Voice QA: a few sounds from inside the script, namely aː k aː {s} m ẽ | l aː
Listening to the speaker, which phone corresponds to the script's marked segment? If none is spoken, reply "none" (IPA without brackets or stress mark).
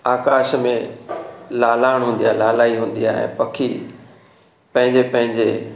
ʃ